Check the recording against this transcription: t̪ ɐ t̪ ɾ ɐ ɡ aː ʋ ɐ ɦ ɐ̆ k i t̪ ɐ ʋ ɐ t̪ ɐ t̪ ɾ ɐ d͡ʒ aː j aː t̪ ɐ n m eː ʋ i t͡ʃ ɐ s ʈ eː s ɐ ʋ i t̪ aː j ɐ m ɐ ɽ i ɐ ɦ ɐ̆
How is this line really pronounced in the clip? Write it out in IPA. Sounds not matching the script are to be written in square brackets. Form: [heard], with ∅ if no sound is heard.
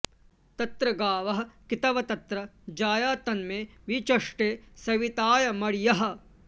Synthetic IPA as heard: t̪ ɐ t̪ ɾ ɐ ɡ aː ʋ ɐ ɦ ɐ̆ k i t̪ ɐ ʋ ɐ t̪ ɐ t̪ ɾ ɐ d͡ʒ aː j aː t̪ ɐ n m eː ʋ i t͡ʃ ɐ [ʂ] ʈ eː s ɐ ʋ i t̪ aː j ɐ m ɐ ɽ [j] ɐ ɦ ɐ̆